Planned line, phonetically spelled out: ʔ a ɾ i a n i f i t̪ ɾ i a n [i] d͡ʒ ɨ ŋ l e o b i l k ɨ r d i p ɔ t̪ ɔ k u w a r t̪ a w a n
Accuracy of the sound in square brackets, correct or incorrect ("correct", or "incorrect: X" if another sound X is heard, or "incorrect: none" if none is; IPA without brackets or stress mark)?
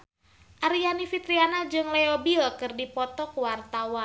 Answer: incorrect: a